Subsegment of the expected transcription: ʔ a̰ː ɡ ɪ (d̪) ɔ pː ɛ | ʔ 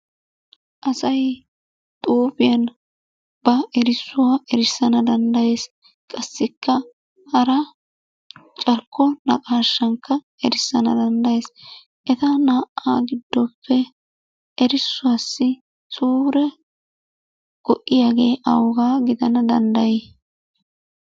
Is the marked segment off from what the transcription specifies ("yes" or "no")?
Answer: yes